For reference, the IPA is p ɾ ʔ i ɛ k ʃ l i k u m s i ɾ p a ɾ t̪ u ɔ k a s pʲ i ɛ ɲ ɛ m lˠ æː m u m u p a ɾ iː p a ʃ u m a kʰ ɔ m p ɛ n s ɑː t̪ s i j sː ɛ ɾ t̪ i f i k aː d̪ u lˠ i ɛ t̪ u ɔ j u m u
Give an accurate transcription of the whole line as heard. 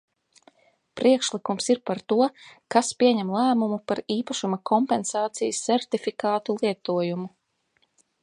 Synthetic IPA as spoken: p ɾ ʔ i ɛ k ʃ l i k u m s i ɾ p a ɾ t̪ u ɔ k a s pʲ i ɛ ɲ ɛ m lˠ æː m u m u p a ɾ iː p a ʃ u m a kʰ ɔ m p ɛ n s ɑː t̪ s i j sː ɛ ɾ t̪ i f i k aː t̪ u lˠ i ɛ t̪ u ɔ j u m u